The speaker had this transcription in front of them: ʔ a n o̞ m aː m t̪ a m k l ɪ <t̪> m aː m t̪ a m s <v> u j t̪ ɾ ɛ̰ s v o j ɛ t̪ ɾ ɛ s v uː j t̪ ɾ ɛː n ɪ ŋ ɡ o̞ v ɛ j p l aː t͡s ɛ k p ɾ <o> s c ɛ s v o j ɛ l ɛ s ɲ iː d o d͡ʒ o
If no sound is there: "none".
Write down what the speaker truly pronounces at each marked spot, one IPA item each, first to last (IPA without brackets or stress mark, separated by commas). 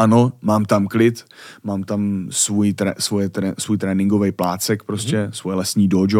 t̪, v, o